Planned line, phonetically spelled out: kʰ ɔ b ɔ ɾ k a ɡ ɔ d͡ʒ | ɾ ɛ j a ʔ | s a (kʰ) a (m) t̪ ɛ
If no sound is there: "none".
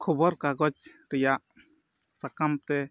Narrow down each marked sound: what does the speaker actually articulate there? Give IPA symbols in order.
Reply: k, m

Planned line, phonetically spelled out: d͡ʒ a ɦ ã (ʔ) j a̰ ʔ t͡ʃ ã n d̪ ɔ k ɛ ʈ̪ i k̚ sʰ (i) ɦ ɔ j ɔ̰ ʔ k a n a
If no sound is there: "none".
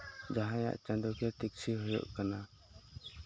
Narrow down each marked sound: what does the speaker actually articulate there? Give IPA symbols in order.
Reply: none, i

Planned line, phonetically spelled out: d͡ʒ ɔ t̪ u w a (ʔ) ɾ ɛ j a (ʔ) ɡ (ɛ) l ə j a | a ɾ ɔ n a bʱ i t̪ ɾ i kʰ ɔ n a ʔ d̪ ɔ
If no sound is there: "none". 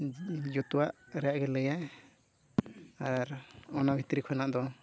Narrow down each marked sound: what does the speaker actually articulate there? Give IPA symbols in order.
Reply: ʔ, ʔ, ɛ

